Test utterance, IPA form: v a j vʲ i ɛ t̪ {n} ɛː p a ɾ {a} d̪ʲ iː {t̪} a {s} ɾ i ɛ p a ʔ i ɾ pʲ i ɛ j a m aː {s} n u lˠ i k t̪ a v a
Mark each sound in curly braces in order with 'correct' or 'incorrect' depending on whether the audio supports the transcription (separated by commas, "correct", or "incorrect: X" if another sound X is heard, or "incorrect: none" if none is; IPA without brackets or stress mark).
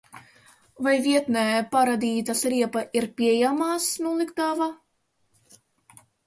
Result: correct, correct, correct, correct, correct